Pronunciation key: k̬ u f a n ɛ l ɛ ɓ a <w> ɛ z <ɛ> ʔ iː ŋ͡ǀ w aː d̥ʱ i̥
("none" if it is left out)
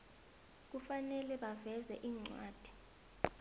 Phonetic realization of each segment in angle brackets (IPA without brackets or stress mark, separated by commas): v, ɛ